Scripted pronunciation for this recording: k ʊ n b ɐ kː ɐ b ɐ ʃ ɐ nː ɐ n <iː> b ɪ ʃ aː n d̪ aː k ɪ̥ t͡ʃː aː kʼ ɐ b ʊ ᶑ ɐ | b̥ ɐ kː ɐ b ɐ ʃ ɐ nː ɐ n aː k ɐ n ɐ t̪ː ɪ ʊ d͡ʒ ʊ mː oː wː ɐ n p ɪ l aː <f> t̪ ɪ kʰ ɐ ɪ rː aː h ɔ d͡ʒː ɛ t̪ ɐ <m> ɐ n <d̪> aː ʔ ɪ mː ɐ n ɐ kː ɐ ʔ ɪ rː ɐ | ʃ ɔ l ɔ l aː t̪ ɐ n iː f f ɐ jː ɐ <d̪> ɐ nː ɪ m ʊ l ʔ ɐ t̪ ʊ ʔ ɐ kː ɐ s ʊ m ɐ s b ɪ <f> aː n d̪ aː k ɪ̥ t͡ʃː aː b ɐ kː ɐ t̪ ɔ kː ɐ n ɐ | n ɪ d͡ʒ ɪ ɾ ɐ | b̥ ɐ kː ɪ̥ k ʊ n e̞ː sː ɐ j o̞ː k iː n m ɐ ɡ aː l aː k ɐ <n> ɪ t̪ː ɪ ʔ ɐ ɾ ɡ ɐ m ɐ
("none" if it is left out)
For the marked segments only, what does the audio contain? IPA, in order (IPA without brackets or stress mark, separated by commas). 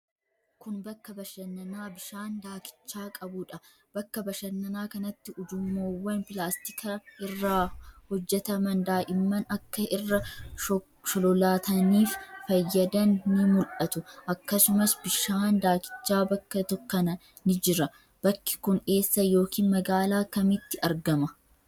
aː, s, m, d̪, d̪, ʃ, m